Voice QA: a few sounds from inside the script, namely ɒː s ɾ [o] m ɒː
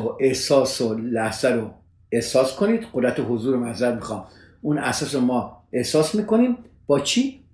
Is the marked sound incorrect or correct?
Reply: correct